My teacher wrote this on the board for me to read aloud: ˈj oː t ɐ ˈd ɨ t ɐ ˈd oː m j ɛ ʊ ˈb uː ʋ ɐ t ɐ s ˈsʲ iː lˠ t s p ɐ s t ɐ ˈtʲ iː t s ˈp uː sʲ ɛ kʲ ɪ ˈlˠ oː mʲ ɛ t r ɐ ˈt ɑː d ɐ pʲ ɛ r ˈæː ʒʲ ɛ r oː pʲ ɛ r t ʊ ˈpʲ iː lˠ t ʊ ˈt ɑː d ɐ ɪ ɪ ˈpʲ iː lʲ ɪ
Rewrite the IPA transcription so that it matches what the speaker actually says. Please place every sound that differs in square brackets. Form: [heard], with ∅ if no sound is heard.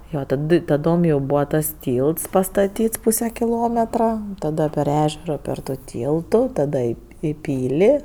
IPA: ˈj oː t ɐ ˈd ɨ t ɐ ˈd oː m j ɛ ʊ ˈb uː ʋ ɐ t ɐ s [ˈtʲ] iː lˠ t s p ɐ s t ɐ ˈtʲ iː t s ˈp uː sʲ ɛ kʲ ɪ ˈlˠ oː mʲ ɛ t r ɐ ˈt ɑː d ɐ pʲ ɛ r ˈæː ʒʲ ɛ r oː pʲ ɛ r t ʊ [ˈtʲ] iː lˠ t ʊ ˈt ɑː d ɐ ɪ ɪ ˈpʲ iː lʲ ɪ